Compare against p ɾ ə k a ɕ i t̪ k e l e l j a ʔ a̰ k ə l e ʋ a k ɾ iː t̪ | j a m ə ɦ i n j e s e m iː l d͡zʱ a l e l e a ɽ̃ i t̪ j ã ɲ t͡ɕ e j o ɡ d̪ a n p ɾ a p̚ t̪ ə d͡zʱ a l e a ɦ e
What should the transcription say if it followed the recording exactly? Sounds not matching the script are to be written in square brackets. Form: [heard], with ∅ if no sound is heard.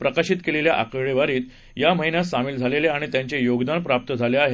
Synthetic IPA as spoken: p ɾ ə k a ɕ i t̪ k e l e l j a ʔ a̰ k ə [ɭ] e ʋ a [∅] ɾ iː t̪ | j a m ə ɦ i n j [a] s [a] m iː l d͡zʱ a l e l e a ɽ̃ i t̪ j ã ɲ t͡ɕ e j o ɡ d̪ a n p ɾ a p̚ t̪ ə d͡zʱ a l e a ɦ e